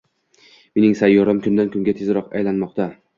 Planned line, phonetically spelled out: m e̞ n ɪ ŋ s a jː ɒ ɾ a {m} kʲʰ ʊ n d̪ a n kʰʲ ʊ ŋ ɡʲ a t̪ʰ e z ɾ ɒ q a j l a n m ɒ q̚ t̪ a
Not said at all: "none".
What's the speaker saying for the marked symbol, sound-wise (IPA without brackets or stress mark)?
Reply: m